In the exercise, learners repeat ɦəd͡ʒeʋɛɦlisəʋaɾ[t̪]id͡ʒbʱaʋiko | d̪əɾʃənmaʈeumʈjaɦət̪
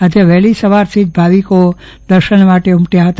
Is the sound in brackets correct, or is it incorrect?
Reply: incorrect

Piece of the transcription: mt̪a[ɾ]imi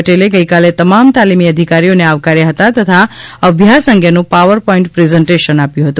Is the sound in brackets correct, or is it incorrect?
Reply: incorrect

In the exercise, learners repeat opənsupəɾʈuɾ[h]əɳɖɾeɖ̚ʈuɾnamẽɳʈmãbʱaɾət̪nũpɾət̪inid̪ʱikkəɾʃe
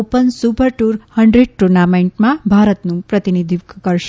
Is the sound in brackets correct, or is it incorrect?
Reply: correct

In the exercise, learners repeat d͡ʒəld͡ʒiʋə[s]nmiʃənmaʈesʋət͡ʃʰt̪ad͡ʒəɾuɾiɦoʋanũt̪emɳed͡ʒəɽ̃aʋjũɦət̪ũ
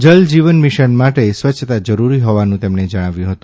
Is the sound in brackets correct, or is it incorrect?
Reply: incorrect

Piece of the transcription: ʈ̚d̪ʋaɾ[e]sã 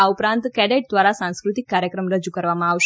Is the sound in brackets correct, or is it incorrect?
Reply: incorrect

